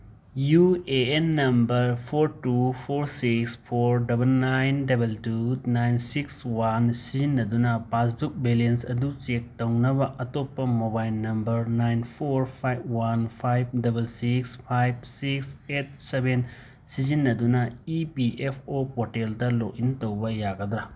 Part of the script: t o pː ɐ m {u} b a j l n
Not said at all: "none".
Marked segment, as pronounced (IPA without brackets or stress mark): o